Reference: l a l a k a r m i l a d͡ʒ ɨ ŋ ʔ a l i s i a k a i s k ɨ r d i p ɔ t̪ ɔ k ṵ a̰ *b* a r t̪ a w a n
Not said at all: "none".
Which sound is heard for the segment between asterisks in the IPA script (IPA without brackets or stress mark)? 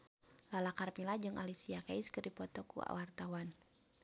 w